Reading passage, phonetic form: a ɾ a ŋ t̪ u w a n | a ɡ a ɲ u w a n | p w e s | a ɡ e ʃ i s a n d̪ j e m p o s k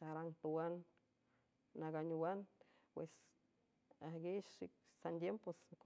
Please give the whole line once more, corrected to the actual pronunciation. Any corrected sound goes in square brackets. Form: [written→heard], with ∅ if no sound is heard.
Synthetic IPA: a ɾ a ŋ t̪ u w a n | a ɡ a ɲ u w a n | p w e s | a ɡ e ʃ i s a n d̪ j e m p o s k

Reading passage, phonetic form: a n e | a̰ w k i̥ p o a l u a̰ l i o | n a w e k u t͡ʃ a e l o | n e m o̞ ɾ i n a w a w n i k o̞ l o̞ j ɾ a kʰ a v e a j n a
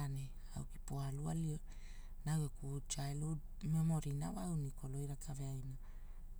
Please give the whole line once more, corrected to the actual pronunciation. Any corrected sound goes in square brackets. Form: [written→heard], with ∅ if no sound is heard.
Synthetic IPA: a n e | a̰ w k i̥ p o a l u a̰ l i o | n a w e k u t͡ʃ a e l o | [n→m] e m o̞ ɾ i n a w a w n i k o̞ l o̞ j ɾ a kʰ a v e a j n a

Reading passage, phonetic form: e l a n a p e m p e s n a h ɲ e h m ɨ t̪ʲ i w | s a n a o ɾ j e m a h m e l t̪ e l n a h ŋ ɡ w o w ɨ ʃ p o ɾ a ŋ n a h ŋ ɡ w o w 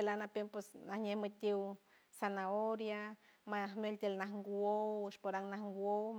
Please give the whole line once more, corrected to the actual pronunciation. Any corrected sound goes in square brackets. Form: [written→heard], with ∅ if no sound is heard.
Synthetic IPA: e l a n a p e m p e s n a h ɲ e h m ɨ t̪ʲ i w | s a n a o ɾ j [e→a] m a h m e l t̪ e l n a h ŋ ɡ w o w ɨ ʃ p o ɾ a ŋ n a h ŋ ɡ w o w

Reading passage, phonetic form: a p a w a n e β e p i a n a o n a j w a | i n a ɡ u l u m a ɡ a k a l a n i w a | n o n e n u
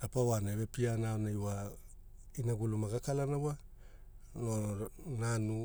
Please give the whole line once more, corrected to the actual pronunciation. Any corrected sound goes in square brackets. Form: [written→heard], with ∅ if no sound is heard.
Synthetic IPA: a p a w a n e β e p i a n a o n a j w a | i n a ɡ u l u m a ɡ a k a l a n [i→a] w a | n o n [e→a] n u

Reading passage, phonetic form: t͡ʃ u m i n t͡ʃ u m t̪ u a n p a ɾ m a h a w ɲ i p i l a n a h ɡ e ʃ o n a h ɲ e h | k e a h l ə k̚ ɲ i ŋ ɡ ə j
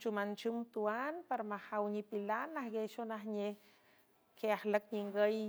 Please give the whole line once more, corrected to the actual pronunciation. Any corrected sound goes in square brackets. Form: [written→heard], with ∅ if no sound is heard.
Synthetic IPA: t͡ʃ u m [i→a] n t͡ʃ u m t̪ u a n p a ɾ m a h a w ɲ i p i l a n a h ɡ e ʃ o n a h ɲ e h | k e a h l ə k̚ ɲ i ŋ ɡ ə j

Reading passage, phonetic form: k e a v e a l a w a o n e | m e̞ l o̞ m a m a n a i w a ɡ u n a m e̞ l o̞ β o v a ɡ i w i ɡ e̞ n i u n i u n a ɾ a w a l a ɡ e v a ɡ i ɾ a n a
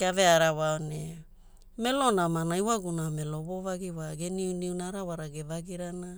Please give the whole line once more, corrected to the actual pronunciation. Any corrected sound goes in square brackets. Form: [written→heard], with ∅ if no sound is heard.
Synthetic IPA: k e a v e a [l→ɾ] a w a o n e | m e̞ l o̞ [m→n] a m a n a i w a ɡ u n a m e̞ l o̞ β o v a ɡ i w [i→a] ɡ e̞ n i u n i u n a ɾ a w a [l→ɾ] a ɡ e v a ɡ i ɾ a n a

